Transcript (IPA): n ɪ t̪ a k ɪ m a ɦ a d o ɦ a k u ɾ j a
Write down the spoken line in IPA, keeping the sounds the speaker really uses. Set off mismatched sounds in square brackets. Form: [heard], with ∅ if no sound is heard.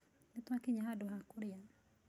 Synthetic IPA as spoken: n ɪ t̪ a k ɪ [ɲ] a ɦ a d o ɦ a k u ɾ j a